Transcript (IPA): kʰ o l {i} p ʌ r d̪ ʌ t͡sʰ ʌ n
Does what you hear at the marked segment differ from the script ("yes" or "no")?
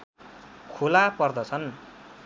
yes